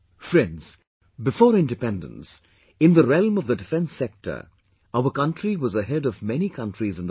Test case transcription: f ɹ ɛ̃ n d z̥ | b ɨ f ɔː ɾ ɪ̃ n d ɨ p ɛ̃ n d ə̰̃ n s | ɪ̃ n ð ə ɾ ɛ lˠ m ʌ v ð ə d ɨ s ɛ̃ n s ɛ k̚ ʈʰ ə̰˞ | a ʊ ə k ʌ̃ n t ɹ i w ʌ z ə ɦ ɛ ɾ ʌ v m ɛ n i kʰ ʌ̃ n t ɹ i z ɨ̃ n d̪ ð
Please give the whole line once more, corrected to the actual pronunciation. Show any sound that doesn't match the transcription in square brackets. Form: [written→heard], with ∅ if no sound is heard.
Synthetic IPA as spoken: f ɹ ɛ̃ n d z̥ | b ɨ f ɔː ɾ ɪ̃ n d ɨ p ɛ̃ n d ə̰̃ n s | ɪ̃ n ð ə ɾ ɛ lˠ m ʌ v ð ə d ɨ [s→f] ɛ̃ n s ɛ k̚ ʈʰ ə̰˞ | a ʊ ə k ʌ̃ n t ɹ i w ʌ z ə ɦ ɛ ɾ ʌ v m ɛ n i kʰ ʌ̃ n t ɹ i z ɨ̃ n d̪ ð

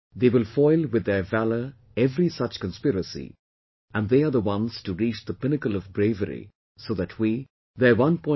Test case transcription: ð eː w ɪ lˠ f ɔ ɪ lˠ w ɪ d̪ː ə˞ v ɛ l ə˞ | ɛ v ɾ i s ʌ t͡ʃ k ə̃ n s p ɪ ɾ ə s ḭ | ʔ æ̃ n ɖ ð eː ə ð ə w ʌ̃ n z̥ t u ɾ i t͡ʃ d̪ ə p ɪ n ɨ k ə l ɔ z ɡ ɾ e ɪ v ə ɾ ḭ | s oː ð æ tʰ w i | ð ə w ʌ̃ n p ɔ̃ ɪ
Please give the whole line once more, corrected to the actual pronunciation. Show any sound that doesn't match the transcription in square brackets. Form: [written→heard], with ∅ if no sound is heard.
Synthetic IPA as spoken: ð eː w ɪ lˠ f ɔ ɪ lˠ w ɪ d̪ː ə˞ v [ɛ→æ] l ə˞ | ɛ v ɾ i s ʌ t͡ʃ k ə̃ n s p ɪ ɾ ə s ḭ | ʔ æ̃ n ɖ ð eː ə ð ə w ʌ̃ n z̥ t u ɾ i t͡ʃ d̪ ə p ɪ n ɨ k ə l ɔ [z→v] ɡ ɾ e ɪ v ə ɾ ḭ | s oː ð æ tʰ w i | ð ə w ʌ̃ n p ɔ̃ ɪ

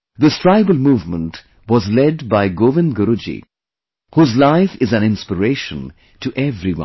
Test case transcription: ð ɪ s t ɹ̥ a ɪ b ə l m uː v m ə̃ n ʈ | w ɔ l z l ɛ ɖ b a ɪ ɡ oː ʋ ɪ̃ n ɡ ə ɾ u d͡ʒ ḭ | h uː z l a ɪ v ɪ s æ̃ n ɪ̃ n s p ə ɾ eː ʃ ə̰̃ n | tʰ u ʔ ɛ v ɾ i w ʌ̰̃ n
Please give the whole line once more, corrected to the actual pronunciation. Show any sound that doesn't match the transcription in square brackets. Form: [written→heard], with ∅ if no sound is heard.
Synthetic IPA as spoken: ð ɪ s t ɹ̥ a ɪ b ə l m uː v m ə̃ n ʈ | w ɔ [l→∅] z l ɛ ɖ b a ɪ ɡ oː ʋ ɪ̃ n ɡ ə ɾ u d͡ʒ ḭ | h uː z l a ɪ [v→f] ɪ [s→z] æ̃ n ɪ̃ n s p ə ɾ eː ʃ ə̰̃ n | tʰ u ʔ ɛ v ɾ i w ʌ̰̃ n

